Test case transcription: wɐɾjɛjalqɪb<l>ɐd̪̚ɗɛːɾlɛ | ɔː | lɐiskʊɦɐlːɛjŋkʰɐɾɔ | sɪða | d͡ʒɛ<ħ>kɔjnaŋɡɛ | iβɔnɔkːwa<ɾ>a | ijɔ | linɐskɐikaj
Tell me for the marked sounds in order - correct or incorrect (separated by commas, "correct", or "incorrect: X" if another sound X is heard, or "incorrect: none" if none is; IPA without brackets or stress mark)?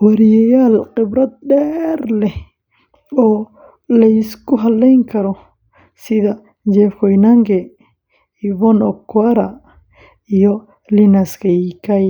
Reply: incorrect: ɾ, incorrect: f, correct